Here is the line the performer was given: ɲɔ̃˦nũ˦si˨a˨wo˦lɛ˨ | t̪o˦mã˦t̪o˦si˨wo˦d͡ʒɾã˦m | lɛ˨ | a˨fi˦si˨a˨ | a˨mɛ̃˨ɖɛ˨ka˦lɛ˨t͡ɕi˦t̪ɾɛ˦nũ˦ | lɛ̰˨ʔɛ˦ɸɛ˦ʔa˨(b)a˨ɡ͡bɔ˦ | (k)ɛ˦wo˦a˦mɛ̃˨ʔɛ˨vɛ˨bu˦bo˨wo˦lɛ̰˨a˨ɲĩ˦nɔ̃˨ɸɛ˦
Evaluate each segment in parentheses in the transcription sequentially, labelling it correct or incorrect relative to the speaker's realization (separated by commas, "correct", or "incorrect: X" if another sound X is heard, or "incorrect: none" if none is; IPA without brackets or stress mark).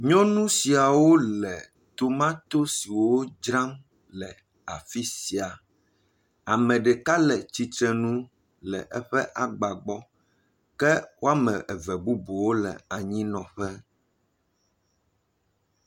incorrect: ɡ͡b, correct